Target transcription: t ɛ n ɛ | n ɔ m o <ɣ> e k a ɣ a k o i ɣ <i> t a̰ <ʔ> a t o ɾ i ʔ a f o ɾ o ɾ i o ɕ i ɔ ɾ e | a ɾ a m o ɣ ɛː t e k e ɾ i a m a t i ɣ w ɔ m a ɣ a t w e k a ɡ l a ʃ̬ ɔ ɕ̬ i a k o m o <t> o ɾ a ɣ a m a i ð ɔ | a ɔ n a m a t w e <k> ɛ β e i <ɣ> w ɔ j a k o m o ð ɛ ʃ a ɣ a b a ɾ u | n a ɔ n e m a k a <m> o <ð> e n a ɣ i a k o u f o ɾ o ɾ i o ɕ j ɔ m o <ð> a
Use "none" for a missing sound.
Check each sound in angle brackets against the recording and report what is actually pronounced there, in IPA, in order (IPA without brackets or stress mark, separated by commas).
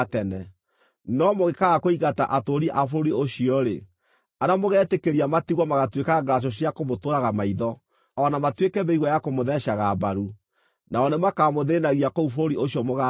ɣ, a, ʔ, t, k, ɣ, m, ð, ɣ